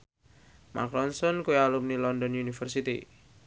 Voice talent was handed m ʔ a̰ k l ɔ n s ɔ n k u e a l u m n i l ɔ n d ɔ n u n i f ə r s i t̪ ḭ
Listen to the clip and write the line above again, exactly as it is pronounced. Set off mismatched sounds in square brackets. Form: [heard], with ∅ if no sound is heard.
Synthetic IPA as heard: m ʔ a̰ k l ɔ n s ɔ n k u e a l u m n i l ɔ n d ɔ n u n i f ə r s i t̪ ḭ